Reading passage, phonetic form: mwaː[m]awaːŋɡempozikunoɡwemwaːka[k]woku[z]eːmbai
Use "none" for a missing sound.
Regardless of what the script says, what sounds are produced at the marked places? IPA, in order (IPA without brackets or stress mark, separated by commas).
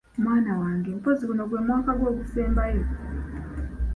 n, ɡ, s